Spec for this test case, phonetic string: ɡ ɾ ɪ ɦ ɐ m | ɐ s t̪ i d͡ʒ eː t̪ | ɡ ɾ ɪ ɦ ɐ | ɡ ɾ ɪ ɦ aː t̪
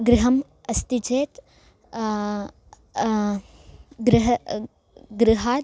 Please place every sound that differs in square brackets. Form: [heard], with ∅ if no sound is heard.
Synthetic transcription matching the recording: ɡ ɾ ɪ ɦ ɐ m | ɐ s t̪ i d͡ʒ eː t̪ | ɡ ɾ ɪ ɦ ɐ | ɡ ɾ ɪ ɦ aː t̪